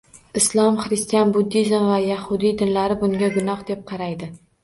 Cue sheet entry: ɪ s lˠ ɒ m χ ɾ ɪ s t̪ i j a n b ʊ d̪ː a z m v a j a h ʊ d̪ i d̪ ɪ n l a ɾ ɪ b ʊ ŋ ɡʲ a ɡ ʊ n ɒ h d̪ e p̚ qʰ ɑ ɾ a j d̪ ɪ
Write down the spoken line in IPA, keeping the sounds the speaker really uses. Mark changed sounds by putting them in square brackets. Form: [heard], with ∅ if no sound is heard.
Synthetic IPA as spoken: ɪ s lˠ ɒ m χ ɾ ɪ s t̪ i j a n b ʊ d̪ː [i] z m v a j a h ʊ d̪ i d̪ ɪ n l a ɾ ɪ b ʊ ŋ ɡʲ a ɡ ʊ n ɒ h d̪ e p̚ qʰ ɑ ɾ a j d̪ ɪ